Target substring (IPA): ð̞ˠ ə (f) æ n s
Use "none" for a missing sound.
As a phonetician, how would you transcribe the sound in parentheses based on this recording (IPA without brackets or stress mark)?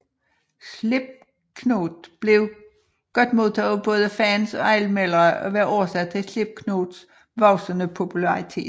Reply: f